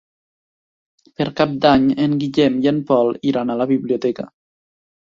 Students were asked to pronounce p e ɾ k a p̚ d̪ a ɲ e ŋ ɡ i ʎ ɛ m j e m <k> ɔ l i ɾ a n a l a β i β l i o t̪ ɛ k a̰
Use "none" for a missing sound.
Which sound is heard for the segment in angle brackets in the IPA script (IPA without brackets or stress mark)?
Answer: p